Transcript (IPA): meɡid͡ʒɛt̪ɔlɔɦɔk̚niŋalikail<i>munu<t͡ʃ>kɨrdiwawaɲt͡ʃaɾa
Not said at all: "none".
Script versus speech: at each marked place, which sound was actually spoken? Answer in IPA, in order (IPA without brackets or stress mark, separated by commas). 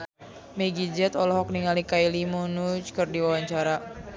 i, t͡ʃ